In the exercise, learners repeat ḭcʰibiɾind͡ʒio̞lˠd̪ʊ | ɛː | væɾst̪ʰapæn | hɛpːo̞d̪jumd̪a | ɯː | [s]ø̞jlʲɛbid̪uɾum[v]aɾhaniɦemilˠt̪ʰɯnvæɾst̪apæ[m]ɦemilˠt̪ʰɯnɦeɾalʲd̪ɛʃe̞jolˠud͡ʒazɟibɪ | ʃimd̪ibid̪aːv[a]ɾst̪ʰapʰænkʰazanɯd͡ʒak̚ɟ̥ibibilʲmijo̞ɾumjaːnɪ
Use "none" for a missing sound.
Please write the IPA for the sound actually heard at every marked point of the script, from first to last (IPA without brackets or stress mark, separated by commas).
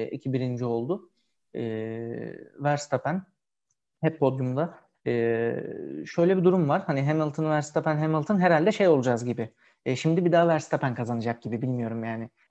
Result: ʃ, v, n, æ